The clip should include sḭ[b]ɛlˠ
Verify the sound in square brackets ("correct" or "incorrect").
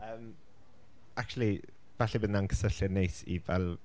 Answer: incorrect